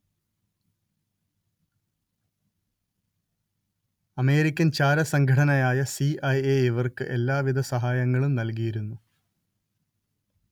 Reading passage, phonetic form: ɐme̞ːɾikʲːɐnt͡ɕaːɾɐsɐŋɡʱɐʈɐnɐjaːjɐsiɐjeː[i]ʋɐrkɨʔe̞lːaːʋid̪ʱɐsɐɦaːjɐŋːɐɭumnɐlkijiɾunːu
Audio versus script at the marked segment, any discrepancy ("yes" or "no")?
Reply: no